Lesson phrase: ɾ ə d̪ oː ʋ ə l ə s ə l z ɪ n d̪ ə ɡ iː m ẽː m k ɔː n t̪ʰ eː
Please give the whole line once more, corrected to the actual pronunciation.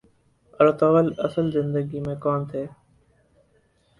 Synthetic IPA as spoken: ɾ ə t̪ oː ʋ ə l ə s ə l z ɪ n d̪ ə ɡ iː m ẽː k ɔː n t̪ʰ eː